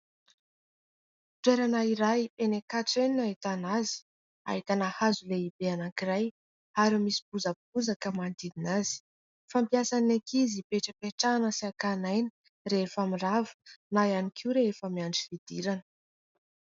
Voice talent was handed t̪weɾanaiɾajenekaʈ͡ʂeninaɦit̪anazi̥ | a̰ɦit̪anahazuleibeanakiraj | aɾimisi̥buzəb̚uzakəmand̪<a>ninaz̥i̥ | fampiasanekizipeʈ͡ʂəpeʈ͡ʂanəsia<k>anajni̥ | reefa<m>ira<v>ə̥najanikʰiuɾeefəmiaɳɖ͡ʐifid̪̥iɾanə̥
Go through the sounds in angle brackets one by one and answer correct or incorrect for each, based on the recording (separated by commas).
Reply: incorrect, correct, correct, correct